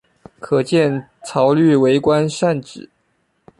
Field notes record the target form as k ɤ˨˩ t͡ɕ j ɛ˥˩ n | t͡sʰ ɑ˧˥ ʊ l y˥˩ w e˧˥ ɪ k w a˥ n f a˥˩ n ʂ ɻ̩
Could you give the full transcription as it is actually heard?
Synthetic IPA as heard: kʰ ɤ˨˩ t͡ɕ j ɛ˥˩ n | t͡sʰ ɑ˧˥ ʊ l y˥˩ w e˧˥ ɪ k w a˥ n ʂ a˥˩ n ʈ͡ʂ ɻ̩